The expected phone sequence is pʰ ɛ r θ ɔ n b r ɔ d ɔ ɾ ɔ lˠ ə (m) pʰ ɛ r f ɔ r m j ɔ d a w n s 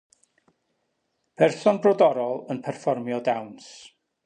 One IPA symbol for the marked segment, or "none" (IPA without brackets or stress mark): n